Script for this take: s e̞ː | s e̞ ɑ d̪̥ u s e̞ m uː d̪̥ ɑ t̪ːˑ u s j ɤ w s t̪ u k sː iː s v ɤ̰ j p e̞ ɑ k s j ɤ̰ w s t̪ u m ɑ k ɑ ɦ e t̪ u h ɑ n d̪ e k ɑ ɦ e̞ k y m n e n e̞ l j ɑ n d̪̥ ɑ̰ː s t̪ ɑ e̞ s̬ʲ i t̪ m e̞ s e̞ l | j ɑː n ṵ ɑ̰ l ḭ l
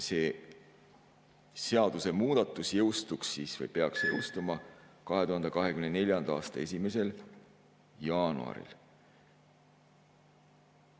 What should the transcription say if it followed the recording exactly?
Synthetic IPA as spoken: s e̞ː | s e̞ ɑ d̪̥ u s e̞ m uː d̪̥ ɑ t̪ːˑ u s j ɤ w s t̪ u k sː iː s v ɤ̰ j p e̞ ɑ k s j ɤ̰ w s t̪ u m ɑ k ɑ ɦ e t̪ u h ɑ n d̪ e k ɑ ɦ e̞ k y m n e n e̞ l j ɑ n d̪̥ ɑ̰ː s t̪ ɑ e̞ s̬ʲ i m e̞ s e̞ l | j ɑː n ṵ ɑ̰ ɾ ḭ l